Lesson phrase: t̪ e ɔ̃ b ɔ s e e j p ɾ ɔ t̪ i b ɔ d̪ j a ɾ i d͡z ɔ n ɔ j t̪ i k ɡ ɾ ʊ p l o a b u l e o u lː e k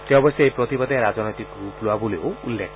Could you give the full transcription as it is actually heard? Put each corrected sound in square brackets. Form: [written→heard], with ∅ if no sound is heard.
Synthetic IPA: t̪ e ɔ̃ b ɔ s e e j p ɾ ɔ t̪ i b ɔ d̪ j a ɾ [i→a] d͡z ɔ n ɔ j t̪ i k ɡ ɾ [ʊ→u] p l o a b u l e o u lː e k